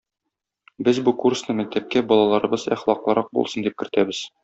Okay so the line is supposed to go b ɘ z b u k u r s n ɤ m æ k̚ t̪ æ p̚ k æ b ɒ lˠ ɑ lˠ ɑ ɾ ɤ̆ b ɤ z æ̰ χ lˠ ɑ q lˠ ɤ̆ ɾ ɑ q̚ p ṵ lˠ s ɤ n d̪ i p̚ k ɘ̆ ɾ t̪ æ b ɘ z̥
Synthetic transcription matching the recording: b ɘ z b u k u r s n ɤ m æ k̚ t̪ æ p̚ k æ b ɒ lˠ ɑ lˠ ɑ ɾ ɤ̆ b ɤ z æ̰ χ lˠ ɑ q lˠ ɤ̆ ɾ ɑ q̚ b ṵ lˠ s ɤ n d̪ i p̚ k ɘ̆ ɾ t̪ æ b ɘ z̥